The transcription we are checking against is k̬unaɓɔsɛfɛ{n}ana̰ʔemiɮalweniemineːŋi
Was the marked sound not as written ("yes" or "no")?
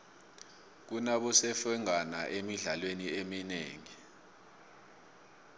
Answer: yes